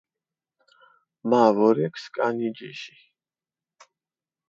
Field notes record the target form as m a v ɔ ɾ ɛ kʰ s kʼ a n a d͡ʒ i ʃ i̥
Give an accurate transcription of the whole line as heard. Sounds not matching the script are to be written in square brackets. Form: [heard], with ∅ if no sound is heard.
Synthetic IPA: m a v ɔ ɾ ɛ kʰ s kʼ a n [i] d͡ʒ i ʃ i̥